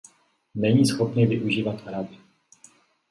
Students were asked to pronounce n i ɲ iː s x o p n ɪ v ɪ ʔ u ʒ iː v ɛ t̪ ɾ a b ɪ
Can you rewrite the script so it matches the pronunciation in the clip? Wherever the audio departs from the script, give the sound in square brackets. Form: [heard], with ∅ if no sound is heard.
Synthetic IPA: n [ɛ] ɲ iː s x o p n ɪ v ɪ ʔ u ʒ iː v [a] t̪ ɾ a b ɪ